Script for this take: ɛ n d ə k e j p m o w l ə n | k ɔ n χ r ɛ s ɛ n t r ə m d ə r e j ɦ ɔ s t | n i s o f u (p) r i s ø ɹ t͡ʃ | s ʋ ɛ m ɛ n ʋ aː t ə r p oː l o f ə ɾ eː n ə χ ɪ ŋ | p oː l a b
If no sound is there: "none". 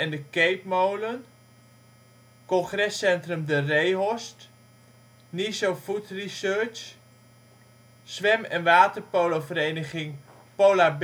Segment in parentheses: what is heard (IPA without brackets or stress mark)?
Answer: t